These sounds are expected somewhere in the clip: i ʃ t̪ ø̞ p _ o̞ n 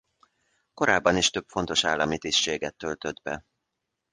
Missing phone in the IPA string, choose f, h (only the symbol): f